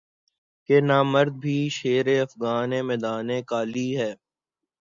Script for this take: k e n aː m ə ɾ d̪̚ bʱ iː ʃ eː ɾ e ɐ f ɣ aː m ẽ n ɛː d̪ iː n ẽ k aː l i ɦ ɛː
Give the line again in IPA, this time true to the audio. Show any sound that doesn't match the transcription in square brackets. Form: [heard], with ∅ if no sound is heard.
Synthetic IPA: k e n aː m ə ɾ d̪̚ bʱ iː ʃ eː ɾ e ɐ f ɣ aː [n] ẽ [m] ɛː d̪ [aː] n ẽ k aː l i ɦ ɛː